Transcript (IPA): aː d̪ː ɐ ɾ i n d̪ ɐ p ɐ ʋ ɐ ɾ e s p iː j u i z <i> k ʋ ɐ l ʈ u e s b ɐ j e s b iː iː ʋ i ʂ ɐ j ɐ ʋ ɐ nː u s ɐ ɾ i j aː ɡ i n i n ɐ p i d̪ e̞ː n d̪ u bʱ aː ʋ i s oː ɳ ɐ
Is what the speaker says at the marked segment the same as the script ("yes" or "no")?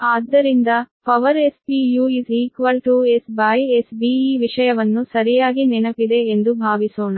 no